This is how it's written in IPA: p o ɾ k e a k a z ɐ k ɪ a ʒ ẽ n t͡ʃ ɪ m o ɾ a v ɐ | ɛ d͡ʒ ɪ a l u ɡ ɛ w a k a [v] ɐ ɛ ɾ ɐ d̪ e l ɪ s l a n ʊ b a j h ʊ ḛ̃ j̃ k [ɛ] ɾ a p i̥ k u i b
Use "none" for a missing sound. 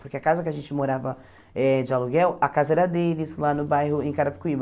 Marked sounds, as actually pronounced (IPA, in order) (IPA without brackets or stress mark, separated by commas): z, a